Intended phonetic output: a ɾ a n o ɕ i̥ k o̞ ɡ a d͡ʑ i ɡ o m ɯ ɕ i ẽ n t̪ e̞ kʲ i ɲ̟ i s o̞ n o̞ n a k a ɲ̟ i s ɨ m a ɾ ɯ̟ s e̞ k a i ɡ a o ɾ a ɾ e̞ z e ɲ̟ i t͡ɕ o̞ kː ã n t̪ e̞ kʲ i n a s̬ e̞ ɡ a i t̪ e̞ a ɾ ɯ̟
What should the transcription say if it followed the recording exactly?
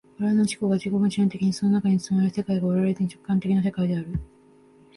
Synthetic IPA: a ɾ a n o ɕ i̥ k o̞ ɡ a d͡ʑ i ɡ o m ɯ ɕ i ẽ n t̪ e̞ kʲ i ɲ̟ i s o̞ n o̞ n a k a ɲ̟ i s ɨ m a ɾ ɯ̟ s e̞ k a i ɡ a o ɾ a ɾ e̞ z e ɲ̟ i t͡ɕ o̞ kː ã n t̪ e̞ kʲ i n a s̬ e̞ k a i d̪ e̞ a ɾ ɯ̟